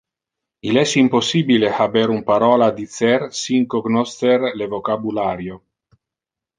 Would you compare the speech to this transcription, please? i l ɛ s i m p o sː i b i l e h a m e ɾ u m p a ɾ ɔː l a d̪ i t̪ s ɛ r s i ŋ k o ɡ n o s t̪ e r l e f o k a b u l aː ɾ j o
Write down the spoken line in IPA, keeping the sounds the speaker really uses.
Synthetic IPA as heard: i l ɛ s i m p o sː i b i l e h a b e ɾ u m p a ɾ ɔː l a d̪ i t̪ s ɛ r s i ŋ k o ɡ n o s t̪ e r l e v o k a b u l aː ɾ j o